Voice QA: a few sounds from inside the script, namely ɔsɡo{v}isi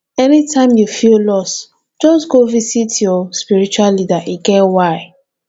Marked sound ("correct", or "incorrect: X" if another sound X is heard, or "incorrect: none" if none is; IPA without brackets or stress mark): correct